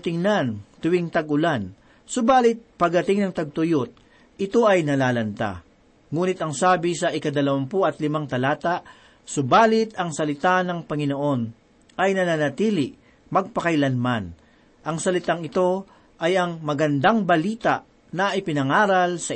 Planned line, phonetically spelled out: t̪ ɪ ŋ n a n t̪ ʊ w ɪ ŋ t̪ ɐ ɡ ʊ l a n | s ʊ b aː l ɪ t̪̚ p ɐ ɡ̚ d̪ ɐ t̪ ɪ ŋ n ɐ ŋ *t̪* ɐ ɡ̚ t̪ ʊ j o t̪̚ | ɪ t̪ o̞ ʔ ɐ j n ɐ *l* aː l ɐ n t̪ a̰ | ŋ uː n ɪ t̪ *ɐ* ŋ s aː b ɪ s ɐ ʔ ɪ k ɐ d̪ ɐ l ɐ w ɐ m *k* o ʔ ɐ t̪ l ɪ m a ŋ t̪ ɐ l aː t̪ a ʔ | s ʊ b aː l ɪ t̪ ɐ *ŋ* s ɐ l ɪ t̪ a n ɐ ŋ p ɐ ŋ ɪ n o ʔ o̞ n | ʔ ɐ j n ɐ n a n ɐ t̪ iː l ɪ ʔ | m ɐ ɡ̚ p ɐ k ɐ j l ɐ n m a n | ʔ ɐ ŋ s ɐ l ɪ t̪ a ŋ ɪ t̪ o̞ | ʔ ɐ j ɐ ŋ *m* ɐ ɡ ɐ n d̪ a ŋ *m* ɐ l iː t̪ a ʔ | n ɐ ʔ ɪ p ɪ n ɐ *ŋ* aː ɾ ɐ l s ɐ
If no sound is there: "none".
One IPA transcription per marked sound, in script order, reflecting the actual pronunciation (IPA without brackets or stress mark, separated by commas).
t̪, l, ɐ, p, ŋ, m, b, ŋ